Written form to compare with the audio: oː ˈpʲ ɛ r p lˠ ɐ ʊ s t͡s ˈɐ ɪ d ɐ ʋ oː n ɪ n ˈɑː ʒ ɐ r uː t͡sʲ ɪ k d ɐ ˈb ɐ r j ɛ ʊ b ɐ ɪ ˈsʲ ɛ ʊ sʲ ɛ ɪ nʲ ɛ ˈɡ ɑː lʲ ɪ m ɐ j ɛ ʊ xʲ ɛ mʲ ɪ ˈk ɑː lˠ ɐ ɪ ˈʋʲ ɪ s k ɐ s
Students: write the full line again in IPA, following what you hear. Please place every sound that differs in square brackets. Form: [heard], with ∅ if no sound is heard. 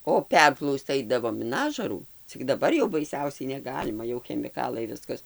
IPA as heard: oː ˈpʲ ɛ r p lˠ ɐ ʊ s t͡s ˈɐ ɪ d ɐ ʋ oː [m] ɪ n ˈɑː ʒ ɐ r uː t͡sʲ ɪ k d ɐ ˈb ɐ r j ɛ ʊ b ɐ ɪ ˈsʲ ɛ ʊ sʲ ɛ ɪ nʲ ɛ ˈɡ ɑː lʲ ɪ m ɐ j ɛ ʊ xʲ ɛ mʲ ɪ ˈk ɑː lˠ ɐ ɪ ˈʋʲ ɪ s k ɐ s

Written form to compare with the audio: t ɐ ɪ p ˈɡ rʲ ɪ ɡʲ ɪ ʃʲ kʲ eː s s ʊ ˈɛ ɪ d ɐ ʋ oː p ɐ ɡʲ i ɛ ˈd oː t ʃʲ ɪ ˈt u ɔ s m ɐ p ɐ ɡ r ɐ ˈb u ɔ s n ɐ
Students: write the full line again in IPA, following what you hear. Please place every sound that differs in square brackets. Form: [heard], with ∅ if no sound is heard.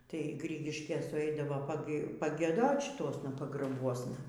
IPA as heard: t ɐ ɪ [∅] ˈɡ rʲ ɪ ɡʲ ɪ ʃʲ kʲ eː s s ʊ ˈɛ ɪ d ɐ ʋ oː p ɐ ɡʲ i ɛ ˈd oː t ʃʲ ɪ ˈt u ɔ s [n] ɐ p ɐ ɡ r ɐ ˈb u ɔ s n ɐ

